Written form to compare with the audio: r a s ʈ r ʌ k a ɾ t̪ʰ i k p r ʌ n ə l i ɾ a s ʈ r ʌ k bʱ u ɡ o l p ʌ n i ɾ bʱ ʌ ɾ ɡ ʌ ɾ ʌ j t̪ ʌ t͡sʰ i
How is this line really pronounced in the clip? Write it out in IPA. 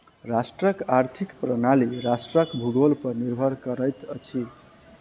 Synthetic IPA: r a s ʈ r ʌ k a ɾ t̪ʰ i k p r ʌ n a l i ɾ a s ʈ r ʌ k bʱ u ɡ o l p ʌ n i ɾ bʱ ʌ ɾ k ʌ ɾ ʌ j t̪ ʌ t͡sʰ i